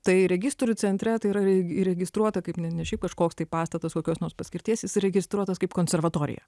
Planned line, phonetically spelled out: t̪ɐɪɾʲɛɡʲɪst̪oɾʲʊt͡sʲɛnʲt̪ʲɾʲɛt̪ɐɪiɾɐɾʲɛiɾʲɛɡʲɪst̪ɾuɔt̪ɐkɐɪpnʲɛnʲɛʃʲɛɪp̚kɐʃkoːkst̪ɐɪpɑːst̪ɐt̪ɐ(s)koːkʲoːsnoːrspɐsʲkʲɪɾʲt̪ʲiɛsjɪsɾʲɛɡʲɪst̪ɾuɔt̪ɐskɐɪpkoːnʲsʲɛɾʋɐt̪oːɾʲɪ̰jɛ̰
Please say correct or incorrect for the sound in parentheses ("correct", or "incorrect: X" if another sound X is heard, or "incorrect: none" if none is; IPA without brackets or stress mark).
correct